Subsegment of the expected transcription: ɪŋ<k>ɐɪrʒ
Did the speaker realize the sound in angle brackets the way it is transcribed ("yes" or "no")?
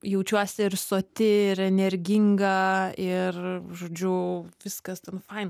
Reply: no